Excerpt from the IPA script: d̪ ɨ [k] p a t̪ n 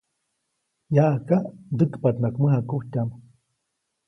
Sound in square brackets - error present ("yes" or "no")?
no